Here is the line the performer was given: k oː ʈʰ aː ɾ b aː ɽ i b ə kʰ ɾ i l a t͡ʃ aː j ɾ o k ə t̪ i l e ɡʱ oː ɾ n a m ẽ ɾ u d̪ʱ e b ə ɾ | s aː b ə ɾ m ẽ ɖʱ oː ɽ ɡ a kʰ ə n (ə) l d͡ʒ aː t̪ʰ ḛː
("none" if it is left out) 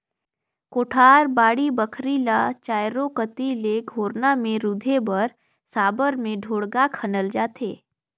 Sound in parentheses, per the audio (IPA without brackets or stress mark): ə